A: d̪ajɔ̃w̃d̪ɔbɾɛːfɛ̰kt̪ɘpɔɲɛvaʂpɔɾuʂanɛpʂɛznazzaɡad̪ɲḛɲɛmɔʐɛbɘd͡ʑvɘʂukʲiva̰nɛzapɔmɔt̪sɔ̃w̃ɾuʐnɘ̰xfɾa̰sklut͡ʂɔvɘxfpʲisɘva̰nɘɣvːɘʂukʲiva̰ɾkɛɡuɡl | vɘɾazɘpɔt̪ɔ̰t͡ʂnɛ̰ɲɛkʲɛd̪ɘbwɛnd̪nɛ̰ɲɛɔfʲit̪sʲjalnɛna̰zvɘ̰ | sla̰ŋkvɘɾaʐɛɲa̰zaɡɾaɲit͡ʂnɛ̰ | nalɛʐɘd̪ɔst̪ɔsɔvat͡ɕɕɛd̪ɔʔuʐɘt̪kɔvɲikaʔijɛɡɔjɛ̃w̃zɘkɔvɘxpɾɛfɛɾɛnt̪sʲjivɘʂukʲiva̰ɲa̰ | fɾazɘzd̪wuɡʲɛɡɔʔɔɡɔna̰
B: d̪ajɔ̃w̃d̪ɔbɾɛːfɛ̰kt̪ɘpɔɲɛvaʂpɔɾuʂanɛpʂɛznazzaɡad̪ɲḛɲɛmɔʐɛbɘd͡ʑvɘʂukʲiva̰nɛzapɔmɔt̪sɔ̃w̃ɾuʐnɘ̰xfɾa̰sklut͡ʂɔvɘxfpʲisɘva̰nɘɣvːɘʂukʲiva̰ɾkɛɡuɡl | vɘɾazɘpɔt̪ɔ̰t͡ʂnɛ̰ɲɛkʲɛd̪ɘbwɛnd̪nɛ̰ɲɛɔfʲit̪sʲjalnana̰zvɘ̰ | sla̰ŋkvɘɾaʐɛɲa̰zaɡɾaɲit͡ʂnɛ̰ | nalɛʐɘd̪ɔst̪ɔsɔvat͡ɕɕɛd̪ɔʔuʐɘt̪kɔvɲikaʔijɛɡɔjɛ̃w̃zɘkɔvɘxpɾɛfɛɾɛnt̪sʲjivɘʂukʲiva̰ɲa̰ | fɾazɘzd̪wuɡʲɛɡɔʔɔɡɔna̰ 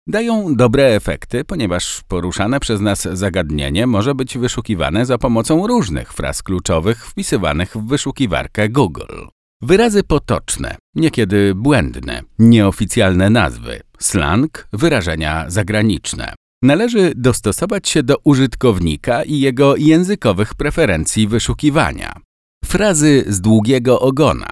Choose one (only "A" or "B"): A